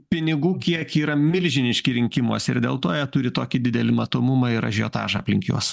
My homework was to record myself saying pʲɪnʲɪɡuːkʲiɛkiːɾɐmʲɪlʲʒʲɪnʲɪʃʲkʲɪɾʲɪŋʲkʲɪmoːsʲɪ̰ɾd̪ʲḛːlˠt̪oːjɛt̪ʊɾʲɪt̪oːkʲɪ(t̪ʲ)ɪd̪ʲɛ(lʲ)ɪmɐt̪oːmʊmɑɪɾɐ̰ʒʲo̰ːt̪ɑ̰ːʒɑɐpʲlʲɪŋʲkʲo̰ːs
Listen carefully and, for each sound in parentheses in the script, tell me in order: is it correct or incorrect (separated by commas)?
incorrect, correct